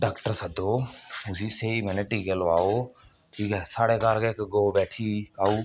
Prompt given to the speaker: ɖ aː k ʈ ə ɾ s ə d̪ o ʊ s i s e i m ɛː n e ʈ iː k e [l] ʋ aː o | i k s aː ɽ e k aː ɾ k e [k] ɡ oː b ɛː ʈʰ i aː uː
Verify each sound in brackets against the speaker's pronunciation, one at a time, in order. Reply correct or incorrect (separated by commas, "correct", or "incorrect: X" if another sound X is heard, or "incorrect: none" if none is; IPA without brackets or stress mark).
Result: correct, correct